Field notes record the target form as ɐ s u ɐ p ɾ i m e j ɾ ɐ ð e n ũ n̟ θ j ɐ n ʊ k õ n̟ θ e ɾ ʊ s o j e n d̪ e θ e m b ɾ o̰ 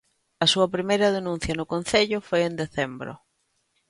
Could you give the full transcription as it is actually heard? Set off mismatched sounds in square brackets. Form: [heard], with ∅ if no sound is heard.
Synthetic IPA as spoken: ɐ s u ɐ p ɾ i m e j ɾ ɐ ð e n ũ n̟ θ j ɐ n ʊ k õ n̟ θ e [ʎ] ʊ [f] o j e n d̪ e θ e m b ɾ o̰

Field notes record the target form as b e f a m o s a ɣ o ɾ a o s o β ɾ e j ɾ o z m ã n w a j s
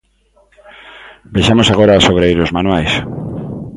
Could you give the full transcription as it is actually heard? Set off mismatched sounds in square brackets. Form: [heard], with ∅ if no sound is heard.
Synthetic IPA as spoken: b e [ʃ] a m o s a ɣ o ɾ a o s o β ɾ e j ɾ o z m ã n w a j s

